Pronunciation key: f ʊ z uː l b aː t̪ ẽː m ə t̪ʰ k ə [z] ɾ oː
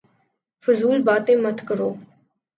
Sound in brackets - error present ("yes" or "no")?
yes